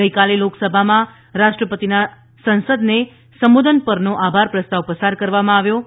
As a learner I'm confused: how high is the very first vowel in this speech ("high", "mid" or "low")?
mid